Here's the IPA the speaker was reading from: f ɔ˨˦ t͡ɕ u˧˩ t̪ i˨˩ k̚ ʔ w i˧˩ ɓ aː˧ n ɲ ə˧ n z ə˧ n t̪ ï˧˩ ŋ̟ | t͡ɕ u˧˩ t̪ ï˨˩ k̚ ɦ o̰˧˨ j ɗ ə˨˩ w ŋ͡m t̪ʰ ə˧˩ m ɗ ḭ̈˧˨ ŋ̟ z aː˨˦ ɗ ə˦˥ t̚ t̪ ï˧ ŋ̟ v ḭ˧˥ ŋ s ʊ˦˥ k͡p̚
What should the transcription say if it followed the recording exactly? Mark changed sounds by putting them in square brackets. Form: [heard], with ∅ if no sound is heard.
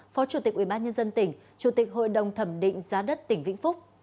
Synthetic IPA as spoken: f ɔ˨˦ t͡ɕ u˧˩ t̪ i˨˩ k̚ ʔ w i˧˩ ɓ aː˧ n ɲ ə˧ n z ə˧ n t̪ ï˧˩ ŋ̟ | t͡ɕ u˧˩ t̪ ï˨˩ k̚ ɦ o̰˧˨ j ɗ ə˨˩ w ŋ͡m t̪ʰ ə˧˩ m ɗ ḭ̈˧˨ ŋ̟ z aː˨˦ ɗ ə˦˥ t̚ t̪ [ï˧˩] ŋ̟ v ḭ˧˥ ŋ [f] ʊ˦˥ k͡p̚